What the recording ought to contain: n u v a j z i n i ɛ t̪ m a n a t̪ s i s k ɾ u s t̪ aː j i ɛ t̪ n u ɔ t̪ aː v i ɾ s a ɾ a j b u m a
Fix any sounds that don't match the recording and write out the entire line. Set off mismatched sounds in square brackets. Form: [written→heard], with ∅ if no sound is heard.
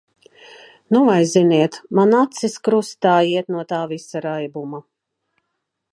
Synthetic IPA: n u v a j z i n i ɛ t̪ m a n a t̪ s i s k ɾ u s t̪ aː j i ɛ t̪ n u ɔ t̪ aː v i [ɾ→∅] s a ɾ a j b u m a